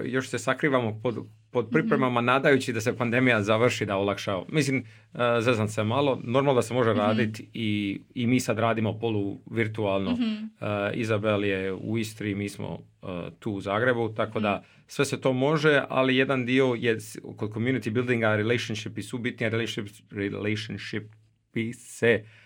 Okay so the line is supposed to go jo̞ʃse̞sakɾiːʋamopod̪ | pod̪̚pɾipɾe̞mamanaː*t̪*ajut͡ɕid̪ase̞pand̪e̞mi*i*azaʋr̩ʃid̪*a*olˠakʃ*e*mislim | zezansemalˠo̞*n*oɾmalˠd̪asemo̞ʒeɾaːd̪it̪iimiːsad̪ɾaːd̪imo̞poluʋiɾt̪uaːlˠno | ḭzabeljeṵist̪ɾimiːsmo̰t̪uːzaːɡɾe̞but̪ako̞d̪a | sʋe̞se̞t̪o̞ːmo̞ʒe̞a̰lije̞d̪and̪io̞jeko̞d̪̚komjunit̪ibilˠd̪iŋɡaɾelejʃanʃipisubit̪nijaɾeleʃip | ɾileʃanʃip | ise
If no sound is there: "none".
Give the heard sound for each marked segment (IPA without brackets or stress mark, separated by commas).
d̪, j, a, a, n